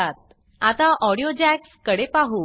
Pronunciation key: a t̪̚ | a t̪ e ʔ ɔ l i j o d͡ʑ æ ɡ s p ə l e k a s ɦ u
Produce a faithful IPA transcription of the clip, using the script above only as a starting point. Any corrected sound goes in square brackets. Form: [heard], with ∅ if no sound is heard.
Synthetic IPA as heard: a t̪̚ | a t̪ [a] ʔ ɔ [ɽ] i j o d͡ʑ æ [k] s [k] ə [ɽ] e [p] a [∅] ɦ u